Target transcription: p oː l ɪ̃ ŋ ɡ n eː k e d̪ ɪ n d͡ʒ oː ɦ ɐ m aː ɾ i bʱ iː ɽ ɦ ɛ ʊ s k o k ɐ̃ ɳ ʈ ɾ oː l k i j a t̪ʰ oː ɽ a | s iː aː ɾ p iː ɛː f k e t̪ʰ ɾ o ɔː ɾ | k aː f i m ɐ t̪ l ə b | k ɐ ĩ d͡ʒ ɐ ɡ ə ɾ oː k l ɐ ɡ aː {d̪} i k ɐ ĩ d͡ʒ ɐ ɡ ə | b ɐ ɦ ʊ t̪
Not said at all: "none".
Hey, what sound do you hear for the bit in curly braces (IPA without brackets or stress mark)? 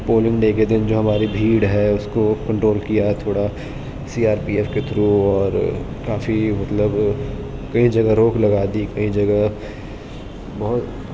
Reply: d̪